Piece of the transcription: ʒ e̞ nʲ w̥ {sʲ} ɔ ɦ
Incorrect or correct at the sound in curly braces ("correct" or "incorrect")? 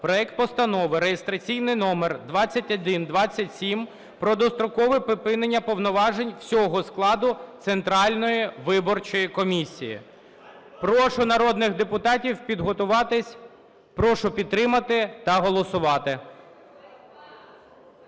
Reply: correct